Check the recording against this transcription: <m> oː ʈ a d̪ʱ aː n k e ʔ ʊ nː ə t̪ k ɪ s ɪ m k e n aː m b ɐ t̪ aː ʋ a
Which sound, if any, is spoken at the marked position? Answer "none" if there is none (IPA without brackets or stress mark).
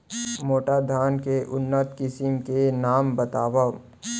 m